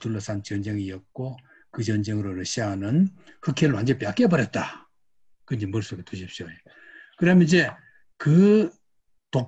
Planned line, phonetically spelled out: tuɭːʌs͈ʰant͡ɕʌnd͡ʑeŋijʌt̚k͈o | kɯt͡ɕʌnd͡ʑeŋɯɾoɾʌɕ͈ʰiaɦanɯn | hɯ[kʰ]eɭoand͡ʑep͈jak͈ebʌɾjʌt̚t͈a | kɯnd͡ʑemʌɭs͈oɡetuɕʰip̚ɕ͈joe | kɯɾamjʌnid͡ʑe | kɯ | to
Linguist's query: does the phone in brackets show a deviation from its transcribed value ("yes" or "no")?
no